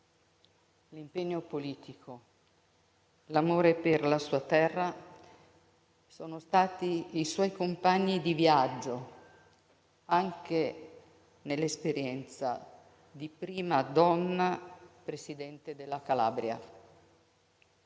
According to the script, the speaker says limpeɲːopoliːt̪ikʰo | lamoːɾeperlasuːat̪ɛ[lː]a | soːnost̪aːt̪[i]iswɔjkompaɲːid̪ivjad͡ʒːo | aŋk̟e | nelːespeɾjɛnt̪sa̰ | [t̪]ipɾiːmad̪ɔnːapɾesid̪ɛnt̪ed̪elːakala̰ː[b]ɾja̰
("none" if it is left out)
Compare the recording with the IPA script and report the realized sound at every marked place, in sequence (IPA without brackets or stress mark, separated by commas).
rː, i, d̪, b